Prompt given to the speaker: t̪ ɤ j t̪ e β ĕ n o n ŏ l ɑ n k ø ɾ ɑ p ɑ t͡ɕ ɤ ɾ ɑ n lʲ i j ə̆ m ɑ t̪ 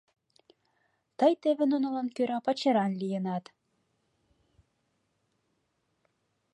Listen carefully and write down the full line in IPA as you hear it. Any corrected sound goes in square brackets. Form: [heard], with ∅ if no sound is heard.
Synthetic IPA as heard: t̪ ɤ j t̪ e β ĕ n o n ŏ l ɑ n k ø ɾ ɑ p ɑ t͡ɕ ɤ ɾ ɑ n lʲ i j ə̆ [n] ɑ t̪